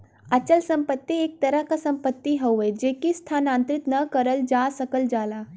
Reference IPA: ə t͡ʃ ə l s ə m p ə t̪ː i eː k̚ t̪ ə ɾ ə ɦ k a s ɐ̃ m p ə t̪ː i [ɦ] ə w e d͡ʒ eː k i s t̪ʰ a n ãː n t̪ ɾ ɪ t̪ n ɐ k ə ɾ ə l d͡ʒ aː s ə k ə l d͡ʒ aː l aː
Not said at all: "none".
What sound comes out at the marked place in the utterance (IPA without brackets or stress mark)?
ɦ